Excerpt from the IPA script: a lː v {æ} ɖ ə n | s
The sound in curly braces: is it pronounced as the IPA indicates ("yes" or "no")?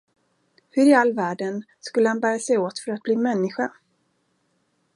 no